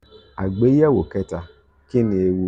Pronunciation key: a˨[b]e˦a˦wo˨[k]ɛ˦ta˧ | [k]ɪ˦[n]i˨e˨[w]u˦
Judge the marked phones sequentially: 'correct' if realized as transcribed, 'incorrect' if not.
incorrect, correct, correct, correct, correct

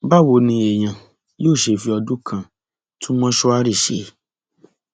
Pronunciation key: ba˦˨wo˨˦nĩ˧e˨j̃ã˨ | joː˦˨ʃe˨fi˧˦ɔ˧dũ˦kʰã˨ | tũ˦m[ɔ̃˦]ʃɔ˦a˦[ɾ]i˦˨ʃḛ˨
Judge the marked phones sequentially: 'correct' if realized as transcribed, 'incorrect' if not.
correct, correct

